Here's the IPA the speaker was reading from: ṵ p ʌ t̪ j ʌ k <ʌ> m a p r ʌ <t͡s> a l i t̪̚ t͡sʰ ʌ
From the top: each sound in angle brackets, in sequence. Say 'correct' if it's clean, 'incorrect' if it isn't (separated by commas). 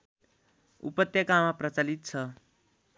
incorrect, correct